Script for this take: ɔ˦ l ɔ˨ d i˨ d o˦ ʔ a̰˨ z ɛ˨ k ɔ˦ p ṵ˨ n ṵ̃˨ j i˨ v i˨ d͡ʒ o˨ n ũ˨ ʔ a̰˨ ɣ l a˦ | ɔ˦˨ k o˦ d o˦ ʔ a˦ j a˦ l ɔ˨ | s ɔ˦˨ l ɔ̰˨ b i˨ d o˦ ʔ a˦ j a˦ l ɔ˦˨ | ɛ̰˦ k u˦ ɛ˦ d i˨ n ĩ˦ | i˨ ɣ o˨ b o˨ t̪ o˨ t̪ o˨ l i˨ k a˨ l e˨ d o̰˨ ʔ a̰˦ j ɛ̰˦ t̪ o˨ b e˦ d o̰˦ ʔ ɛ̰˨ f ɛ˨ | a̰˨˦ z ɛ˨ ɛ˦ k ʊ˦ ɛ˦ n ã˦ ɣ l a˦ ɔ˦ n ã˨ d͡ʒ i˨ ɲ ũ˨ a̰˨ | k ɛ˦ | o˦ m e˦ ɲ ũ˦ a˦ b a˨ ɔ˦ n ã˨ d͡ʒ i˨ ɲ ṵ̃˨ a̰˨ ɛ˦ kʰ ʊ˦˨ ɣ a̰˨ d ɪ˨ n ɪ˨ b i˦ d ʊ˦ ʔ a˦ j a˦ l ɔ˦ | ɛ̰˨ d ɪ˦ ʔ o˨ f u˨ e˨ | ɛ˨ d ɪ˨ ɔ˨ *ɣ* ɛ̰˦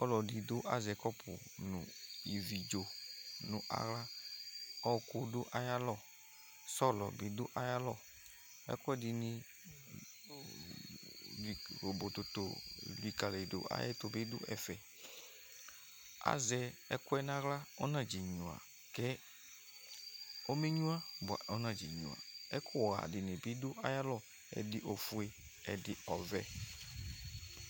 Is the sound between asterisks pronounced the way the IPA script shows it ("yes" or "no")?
no